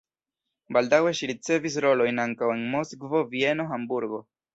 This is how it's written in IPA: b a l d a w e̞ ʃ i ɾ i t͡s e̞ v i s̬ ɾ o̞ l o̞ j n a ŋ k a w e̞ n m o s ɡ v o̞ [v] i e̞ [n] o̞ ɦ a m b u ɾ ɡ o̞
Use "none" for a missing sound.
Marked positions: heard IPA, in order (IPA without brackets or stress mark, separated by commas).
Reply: v, n